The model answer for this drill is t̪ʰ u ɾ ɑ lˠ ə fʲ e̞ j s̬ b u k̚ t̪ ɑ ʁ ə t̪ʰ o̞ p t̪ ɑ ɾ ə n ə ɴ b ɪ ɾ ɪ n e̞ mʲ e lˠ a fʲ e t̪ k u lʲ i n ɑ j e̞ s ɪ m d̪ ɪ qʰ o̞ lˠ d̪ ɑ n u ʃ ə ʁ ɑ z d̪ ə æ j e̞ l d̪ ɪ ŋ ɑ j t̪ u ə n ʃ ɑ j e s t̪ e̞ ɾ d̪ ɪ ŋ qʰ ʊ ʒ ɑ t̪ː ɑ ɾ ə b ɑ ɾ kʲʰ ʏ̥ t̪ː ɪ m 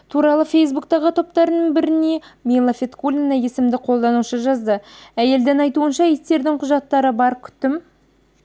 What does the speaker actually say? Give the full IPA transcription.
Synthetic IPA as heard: t̪ʰ u ɾ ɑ lˠ ə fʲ e̞ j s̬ b u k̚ t̪ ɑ ʁ ə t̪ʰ o̞ p t̪ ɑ ɾ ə n ə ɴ b ɪ ɾ ɪ n e̞ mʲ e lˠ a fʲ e t̪ k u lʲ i n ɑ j e̞ s ɪ m d̪ ɪ qʰ o̞ lˠ d̪ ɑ n u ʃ ə ʒ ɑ z d̪ ə æ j e̞ l d̪ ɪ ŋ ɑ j t̪ u ə n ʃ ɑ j e s t̪ e̞ ɾ d̪ ɪ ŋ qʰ ʊ ʒ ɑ t̪ː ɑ ɾ ə b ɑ ɾ kʲʰ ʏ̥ t̪ː ɪ m